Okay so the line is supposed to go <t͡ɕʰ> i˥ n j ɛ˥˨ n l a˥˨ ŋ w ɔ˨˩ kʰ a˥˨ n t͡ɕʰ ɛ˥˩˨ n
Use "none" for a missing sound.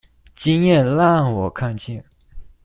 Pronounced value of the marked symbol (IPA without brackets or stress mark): t͡ɕ